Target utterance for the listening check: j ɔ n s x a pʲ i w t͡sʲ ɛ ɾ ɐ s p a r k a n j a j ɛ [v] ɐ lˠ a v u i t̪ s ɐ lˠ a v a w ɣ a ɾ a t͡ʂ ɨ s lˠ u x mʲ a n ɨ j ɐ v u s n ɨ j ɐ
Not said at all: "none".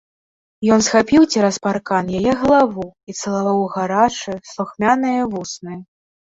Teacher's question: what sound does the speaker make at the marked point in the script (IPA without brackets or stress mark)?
ɣ